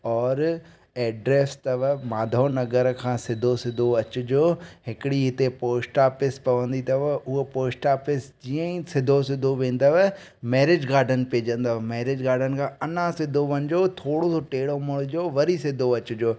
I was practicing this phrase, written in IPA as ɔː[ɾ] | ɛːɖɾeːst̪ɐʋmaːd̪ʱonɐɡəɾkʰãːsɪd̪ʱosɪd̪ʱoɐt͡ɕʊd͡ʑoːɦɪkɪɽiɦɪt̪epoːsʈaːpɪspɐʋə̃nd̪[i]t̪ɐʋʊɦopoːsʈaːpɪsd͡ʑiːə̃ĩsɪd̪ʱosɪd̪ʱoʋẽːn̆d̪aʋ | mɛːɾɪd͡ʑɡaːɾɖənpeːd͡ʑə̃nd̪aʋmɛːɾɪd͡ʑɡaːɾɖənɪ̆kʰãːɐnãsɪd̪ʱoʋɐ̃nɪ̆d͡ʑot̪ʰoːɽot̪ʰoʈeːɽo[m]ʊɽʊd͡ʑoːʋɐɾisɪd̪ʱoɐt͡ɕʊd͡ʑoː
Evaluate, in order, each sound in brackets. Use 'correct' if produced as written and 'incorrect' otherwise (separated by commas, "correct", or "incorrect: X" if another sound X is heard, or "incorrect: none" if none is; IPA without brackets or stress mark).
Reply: correct, correct, correct